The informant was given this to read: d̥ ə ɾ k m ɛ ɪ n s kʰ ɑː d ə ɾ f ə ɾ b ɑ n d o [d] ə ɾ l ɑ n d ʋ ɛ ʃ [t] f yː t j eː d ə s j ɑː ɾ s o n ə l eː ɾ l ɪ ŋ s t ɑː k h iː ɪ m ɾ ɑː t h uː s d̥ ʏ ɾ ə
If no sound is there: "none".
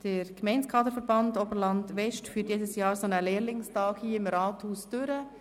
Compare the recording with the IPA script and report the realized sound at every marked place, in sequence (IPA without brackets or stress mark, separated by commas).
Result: b, t